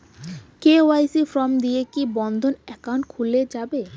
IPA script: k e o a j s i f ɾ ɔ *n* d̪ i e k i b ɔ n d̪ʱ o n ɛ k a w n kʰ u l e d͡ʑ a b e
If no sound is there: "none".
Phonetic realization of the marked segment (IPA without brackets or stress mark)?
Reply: m